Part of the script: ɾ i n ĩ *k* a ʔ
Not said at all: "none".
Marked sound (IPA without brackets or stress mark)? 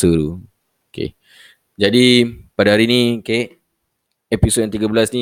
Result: k